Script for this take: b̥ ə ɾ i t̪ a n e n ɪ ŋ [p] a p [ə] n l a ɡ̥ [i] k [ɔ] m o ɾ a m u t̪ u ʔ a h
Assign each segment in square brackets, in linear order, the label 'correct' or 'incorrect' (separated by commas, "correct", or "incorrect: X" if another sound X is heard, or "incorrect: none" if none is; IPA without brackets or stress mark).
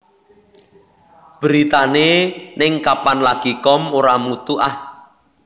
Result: incorrect: k, incorrect: a, correct, correct